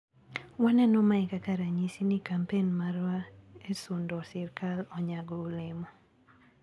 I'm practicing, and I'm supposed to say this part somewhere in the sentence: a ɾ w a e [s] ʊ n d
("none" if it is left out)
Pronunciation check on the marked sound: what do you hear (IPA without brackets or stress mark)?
s